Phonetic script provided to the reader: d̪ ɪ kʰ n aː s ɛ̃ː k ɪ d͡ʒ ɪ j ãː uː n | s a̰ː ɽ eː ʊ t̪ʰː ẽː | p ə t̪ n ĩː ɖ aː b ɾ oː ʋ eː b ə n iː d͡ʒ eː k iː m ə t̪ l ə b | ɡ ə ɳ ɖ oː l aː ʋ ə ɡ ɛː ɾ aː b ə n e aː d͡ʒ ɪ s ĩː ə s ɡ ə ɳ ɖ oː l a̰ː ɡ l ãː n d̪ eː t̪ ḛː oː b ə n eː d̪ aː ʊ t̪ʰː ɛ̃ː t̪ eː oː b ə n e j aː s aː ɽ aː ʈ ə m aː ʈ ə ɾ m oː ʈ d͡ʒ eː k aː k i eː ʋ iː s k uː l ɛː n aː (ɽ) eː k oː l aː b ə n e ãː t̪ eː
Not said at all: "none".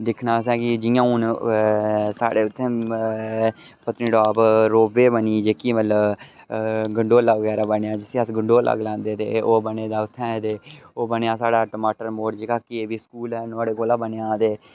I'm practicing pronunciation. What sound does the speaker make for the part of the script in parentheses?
ɽ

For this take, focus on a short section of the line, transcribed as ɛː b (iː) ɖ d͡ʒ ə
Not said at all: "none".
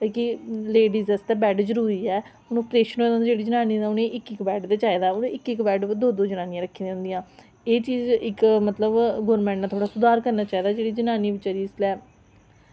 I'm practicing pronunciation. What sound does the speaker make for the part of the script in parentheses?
ɛː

